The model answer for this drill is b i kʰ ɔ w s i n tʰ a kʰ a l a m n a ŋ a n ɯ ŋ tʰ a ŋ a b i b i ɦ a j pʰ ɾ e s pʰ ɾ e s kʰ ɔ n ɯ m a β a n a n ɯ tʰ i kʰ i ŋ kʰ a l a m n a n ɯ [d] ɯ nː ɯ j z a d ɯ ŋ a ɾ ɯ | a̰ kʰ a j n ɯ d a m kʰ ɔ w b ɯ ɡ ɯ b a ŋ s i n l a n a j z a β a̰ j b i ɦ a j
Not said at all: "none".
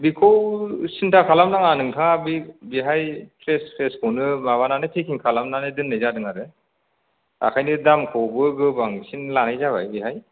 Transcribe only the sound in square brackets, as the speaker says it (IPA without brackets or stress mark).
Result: d